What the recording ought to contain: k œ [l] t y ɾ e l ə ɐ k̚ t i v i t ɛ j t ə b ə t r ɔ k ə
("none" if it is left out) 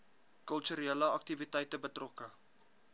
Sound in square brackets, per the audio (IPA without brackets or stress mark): l